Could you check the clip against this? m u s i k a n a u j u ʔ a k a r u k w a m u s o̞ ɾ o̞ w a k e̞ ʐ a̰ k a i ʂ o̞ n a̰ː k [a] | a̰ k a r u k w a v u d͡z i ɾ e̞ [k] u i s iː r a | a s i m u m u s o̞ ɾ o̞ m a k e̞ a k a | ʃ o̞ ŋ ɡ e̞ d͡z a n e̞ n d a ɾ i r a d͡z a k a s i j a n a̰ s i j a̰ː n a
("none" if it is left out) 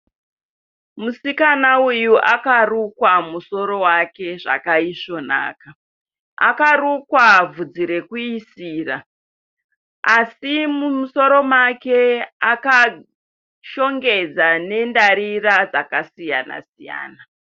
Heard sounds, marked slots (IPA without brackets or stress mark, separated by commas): a, k